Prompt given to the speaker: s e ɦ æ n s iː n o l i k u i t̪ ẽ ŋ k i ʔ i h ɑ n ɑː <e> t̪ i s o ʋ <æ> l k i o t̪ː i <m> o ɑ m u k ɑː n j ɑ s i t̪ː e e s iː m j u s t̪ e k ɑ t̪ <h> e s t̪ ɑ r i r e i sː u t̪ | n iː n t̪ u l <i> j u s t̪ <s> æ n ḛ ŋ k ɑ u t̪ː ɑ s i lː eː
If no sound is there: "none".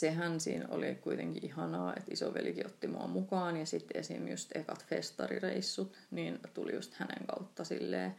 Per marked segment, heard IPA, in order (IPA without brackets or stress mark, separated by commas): e, e, m, f, i, h